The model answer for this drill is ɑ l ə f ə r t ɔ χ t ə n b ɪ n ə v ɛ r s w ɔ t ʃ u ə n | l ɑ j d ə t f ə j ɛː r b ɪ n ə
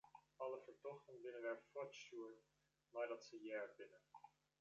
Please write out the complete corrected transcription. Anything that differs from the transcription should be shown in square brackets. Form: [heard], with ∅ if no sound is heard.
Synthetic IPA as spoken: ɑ l ə f ə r t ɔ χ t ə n b ɪ n ə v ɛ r [f] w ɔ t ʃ u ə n | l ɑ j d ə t [s] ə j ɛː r b ɪ n ə